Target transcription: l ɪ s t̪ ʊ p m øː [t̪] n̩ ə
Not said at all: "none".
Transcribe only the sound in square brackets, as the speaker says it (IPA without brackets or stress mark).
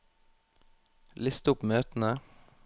t̪